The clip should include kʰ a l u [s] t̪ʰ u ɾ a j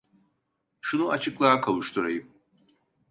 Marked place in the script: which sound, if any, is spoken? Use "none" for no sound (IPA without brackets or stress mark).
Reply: ʃ